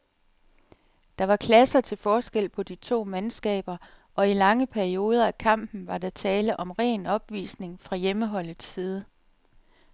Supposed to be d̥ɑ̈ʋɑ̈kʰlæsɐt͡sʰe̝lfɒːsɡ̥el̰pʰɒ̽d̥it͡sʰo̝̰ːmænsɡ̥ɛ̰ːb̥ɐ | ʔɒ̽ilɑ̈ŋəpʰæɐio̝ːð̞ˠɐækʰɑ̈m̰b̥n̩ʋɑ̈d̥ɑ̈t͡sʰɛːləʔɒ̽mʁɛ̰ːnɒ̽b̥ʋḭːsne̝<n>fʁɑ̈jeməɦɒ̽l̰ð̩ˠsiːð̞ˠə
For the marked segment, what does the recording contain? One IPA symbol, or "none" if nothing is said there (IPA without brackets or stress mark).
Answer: ŋ